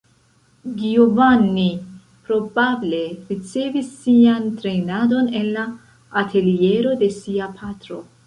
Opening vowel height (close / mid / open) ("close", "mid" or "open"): close